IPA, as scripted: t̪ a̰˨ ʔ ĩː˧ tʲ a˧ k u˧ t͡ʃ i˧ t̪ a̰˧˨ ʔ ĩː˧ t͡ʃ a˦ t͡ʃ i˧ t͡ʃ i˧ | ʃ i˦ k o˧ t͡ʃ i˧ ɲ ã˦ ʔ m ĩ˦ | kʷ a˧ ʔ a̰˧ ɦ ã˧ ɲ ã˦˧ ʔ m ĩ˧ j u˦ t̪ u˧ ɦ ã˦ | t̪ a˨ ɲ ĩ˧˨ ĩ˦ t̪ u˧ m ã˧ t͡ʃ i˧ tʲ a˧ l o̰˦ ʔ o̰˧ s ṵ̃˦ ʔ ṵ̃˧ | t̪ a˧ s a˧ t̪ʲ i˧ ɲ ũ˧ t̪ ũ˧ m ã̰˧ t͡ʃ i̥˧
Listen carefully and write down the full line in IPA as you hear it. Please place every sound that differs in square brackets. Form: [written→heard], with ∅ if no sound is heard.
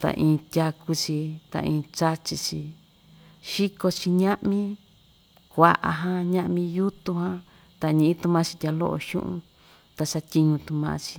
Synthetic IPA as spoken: t̪ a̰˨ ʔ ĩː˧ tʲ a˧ k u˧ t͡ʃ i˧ t̪ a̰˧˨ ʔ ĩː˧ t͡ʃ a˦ t͡ʃ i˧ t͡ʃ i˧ | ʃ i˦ k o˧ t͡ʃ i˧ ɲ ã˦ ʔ m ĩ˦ | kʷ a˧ ʔ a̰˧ ɦ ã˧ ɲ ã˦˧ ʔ m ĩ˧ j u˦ t̪ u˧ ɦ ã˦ | t̪ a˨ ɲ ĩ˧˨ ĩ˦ t̪ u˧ m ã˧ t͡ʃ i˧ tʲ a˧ l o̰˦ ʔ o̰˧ [s→ʃ] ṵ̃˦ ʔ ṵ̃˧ | t̪ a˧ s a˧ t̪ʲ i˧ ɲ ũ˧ t̪ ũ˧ m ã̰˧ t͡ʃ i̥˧

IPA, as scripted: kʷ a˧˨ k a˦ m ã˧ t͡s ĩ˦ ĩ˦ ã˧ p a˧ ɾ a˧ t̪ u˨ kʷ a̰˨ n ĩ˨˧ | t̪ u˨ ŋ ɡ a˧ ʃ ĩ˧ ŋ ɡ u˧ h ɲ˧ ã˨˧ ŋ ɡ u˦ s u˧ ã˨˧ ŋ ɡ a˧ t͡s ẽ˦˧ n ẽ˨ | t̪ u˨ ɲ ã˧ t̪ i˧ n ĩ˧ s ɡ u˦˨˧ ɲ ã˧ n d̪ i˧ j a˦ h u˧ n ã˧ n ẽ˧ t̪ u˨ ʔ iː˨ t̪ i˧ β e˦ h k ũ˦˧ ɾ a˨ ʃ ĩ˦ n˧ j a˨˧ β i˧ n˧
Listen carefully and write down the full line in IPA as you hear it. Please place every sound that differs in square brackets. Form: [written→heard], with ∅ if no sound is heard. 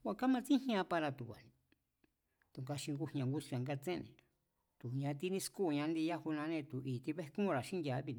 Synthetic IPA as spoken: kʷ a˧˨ k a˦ m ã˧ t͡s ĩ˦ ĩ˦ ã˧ p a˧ ɾ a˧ t̪ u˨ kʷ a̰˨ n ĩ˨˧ | t̪ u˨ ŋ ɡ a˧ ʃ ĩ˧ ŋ ɡ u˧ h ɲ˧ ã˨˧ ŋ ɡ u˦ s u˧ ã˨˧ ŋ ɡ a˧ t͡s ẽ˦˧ n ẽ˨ | t̪ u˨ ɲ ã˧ t̪ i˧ n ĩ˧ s [ɡ→k] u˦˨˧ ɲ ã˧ n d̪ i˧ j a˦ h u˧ n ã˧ n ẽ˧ t̪ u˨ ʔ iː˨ t̪ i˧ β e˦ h k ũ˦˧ ɾ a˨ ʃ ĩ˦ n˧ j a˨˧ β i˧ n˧

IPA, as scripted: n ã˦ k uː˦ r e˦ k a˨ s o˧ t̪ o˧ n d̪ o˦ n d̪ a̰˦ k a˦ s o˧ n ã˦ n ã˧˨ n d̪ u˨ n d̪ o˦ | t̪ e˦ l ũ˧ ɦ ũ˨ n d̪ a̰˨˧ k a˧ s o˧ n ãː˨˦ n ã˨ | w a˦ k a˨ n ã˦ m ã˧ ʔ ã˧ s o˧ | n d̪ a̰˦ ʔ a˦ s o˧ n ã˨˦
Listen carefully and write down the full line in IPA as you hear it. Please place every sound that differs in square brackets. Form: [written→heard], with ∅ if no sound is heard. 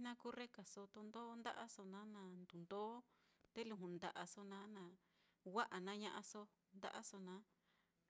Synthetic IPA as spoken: n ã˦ k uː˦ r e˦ k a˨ s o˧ t̪ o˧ n d̪ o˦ n d̪ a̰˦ [k→ʔ] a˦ s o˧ n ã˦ n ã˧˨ n d̪ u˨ n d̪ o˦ | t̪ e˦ l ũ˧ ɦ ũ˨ n d̪ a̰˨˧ [k→ʔ] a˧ s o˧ n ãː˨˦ n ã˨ | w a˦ [k→ʔ] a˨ n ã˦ [m→ɲ] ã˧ ʔ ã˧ s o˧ | n d̪ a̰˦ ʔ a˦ s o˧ n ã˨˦

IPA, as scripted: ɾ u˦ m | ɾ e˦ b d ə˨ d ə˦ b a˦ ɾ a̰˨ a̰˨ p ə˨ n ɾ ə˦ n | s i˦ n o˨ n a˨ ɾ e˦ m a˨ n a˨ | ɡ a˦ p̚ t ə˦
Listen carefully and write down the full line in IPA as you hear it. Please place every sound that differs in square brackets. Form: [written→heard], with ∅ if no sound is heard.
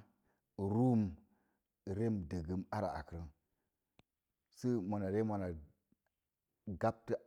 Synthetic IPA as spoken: ɾ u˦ m | ɾ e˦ [b→m] d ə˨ [d→ɡ] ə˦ [b→m] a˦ ɾ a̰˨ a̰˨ [p→k] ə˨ [n→∅] ɾ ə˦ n | s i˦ [n→m] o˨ n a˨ ɾ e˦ m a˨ n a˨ | ɡ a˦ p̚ t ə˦

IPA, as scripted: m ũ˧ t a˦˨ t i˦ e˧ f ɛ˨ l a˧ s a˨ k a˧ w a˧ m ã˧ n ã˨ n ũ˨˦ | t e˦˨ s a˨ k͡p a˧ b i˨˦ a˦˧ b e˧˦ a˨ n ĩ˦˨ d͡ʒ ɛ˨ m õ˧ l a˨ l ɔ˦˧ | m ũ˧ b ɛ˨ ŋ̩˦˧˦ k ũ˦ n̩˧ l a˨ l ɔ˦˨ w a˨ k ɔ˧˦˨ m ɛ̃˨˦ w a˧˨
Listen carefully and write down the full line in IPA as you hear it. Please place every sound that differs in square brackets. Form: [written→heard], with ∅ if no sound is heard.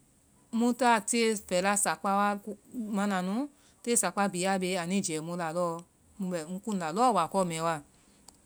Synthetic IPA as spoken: m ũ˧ t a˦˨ t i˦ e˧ f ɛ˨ l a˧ s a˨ [k→k͡p] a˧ w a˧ m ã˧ n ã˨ n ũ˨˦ | t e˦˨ s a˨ k͡p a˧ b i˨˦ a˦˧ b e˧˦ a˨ n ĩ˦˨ d͡ʒ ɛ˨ m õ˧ l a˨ l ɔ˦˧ | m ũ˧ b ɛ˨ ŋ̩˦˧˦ k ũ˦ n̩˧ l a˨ l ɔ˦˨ w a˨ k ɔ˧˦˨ m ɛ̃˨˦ w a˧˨

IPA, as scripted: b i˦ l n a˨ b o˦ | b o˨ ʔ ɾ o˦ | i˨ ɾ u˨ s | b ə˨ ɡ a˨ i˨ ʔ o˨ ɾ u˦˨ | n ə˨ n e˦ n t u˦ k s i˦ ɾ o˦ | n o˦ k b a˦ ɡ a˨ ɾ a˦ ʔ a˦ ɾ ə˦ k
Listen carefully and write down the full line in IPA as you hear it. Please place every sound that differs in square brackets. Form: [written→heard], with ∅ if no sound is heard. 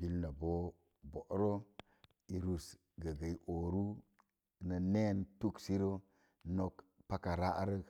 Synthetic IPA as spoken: b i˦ l n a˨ b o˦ | b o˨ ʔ ɾ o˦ | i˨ ɾ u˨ s | [b→ɡ] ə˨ ɡ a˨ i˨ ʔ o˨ ɾ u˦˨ | n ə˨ n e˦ n t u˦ k s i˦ ɾ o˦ | n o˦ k [b→p] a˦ [ɡ→k] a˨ ɾ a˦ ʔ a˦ ɾ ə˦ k

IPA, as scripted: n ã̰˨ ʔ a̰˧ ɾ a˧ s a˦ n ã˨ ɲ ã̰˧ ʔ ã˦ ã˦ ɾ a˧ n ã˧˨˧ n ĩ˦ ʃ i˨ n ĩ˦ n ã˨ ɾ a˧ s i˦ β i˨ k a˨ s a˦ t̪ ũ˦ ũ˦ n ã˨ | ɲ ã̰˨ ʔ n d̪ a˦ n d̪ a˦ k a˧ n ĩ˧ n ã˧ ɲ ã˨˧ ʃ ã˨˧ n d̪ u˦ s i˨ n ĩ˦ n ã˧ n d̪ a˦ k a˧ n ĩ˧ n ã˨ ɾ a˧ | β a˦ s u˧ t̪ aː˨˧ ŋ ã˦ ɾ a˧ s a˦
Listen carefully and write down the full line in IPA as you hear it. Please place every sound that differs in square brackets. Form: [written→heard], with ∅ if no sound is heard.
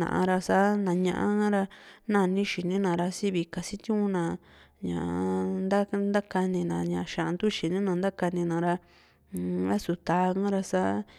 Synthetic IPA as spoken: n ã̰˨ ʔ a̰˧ ɾ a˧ s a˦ n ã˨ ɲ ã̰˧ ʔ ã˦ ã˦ ɾ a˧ n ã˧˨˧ n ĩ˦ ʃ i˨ n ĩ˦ n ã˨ ɾ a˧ s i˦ β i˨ k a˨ s [a˦→i˦] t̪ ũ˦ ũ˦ n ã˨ | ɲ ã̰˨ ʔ n d̪ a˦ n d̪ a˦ k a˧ n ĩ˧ n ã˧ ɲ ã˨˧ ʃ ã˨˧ n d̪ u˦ [s→ʃ] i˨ n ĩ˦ n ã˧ n d̪ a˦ k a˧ n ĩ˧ n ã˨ ɾ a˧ | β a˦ s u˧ t̪ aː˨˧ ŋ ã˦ ɾ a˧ s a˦

